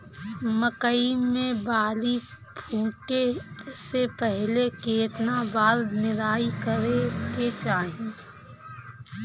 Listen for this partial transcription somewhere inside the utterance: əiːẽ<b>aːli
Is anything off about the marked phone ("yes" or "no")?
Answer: no